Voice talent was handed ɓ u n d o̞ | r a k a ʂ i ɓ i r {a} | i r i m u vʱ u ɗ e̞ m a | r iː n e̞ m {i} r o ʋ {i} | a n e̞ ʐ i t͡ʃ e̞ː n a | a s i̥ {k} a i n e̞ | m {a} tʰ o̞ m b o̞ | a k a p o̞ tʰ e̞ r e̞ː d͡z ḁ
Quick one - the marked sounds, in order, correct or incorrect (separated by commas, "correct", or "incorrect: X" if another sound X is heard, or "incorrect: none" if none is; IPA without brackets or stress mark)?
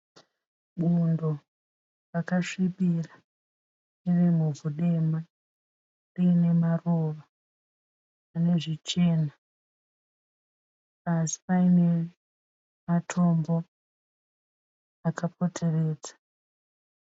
correct, incorrect: a, incorrect: a, incorrect: p, correct